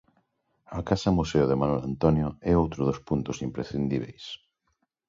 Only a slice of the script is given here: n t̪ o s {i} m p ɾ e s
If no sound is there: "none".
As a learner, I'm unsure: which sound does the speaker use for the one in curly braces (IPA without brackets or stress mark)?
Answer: i